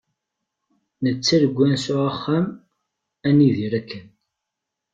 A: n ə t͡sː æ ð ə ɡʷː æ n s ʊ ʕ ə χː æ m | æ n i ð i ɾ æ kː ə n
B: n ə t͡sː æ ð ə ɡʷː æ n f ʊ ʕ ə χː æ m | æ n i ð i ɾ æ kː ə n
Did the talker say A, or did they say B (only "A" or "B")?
A